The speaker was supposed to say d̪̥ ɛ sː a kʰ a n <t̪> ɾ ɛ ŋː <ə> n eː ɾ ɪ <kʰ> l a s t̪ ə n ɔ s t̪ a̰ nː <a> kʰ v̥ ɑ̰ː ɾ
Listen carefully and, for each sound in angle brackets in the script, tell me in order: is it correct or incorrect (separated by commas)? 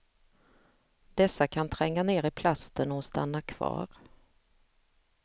incorrect, incorrect, incorrect, correct